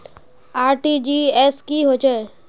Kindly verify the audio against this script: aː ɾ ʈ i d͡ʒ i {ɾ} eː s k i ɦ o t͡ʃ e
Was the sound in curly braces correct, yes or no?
no